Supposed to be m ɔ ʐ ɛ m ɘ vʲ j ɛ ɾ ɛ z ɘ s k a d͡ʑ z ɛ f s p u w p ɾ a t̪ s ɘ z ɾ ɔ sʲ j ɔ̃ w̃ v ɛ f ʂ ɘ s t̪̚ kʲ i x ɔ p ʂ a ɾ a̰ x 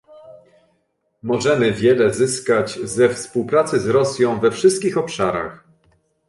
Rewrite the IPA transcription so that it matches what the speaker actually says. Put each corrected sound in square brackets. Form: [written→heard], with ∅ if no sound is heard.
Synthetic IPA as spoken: m ɔ ʐ ɛ m ɘ vʲ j ɛ [ɾ→l] ɛ z ɘ s k a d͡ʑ z ɛ f s p u w p ɾ a t̪ s ɘ z ɾ ɔ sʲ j ɔ̃ w̃ v ɛ f ʂ ɘ s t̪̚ kʲ i x ɔ p ʂ a ɾ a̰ x